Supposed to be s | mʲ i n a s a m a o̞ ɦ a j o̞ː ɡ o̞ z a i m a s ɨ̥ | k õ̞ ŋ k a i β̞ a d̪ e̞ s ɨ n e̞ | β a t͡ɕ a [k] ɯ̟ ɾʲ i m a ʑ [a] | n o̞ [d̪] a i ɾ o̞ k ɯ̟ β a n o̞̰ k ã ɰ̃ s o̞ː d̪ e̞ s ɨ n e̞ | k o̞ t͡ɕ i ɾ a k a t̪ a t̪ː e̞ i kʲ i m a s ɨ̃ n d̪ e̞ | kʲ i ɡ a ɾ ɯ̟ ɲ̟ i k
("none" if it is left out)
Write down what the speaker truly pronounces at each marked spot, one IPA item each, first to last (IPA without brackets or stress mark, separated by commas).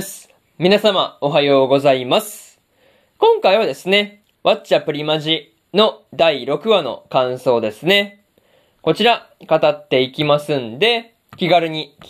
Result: p, i, d̪